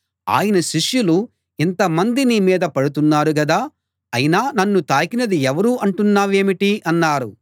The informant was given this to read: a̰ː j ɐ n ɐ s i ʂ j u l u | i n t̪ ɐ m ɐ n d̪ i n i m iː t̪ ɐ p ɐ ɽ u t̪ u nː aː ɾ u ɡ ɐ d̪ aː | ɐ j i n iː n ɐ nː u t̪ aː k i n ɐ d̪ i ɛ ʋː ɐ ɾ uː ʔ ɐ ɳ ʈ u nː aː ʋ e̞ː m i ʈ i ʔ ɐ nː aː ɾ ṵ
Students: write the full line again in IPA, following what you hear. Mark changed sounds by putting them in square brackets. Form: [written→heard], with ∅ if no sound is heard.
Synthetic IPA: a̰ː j ɐ n ɐ [s→ʃ] i ʂ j u l u | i n t̪ ɐ m ɐ n d̪ i n i m iː [t̪→d̪] ɐ p ɐ ɽ u t̪ u nː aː ɾ u ɡ ɐ d̪ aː | ɐ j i n [iː→aː] n ɐ nː u t̪ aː k i n ɐ d̪ i ɛ [ʋː→ʋ] ɐ ɾ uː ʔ ɐ ɳ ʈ u nː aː ʋ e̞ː m i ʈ i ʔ ɐ nː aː ɾ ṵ